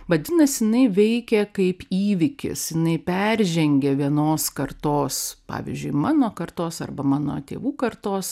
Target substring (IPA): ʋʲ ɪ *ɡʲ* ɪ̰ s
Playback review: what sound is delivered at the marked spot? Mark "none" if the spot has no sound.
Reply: kʲ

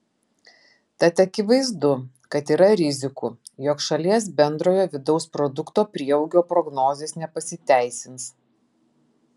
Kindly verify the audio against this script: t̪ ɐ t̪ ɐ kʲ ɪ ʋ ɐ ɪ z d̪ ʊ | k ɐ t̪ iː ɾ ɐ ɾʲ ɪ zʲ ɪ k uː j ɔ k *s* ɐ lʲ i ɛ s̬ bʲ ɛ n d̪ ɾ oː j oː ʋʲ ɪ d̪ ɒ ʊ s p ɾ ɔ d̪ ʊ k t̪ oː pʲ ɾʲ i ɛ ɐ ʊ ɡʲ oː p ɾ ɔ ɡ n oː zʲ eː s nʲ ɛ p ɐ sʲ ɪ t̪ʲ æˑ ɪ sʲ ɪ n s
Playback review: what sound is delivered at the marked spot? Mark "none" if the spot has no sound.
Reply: ʃ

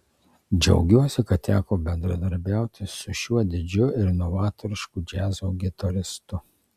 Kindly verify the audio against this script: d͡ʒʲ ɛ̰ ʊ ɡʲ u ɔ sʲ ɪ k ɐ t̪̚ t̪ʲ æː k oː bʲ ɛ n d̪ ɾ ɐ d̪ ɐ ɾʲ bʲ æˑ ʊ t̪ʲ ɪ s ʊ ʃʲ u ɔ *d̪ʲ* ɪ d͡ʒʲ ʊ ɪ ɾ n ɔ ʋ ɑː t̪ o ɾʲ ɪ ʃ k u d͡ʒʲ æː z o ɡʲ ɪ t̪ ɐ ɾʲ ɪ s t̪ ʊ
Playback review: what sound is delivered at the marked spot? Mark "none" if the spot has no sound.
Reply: d̪ʲ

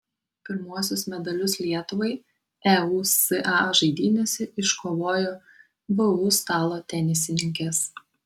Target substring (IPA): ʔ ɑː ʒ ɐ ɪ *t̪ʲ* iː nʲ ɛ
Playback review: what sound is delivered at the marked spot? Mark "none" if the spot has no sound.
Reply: d̪ʲ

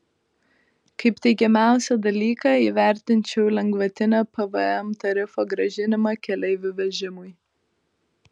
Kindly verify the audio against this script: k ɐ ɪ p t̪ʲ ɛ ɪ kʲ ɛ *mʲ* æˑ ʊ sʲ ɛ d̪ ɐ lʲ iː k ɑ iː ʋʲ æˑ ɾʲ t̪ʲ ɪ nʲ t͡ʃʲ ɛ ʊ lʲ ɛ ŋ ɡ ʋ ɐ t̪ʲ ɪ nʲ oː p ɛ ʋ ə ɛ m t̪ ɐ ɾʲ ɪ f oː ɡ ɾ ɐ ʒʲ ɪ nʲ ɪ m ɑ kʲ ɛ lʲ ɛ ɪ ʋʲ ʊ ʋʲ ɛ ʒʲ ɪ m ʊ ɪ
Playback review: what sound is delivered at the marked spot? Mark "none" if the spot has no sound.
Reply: mʲ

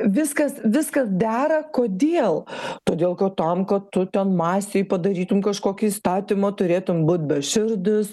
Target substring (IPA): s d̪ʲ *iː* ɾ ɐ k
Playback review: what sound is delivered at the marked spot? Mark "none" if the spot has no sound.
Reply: æː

